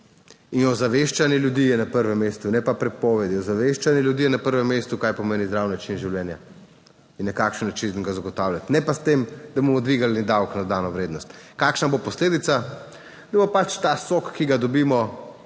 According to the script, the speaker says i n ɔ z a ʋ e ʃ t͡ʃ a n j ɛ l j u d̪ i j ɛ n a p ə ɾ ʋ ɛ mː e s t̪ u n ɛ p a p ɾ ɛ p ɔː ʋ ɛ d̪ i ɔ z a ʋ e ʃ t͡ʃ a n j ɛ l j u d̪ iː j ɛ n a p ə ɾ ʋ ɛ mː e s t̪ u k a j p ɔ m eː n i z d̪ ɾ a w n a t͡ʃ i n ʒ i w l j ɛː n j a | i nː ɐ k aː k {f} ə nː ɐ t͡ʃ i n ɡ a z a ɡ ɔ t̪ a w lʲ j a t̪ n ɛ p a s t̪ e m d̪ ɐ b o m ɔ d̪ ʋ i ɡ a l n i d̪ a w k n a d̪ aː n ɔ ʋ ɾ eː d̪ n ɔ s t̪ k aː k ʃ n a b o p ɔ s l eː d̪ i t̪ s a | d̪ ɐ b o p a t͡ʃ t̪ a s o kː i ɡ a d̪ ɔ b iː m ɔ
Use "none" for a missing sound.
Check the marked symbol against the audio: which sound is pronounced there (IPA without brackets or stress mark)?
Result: ʃ